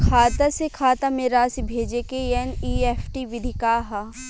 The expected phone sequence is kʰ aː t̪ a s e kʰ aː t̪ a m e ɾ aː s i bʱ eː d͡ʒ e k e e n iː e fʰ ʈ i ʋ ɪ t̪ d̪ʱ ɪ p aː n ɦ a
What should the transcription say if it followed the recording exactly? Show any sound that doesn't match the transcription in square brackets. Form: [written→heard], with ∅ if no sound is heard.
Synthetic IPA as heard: kʰ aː t̪ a s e kʰ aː t̪ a m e ɾ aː s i bʱ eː d͡ʒ e k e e n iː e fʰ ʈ i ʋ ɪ [t̪→∅] d̪ʱ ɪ [p→k] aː [n→∅] ɦ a